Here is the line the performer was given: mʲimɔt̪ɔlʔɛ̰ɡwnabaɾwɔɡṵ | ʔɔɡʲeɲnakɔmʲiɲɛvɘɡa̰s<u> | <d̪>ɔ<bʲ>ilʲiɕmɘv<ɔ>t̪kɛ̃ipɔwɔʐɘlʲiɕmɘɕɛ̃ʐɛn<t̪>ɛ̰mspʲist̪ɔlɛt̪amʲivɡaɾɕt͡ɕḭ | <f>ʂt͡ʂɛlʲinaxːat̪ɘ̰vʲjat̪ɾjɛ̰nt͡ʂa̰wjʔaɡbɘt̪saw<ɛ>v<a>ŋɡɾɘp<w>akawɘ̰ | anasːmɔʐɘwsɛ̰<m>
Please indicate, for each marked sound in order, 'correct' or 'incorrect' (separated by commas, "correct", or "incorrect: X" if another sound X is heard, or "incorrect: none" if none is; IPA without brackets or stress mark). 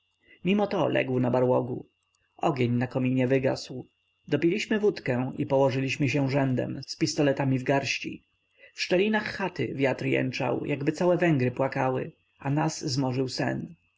incorrect: w, correct, incorrect: pʲ, incorrect: u, incorrect: d̪, correct, correct, incorrect: ɛ, correct, incorrect: n